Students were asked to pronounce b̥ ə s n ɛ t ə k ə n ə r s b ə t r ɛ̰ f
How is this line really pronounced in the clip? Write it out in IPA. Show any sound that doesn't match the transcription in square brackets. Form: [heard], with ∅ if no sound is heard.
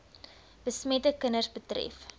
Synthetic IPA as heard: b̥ ə s [m] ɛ t ə k ə n ə r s b ə t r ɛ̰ f